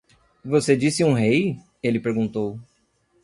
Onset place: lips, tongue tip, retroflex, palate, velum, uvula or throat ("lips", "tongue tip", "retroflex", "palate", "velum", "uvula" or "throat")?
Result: lips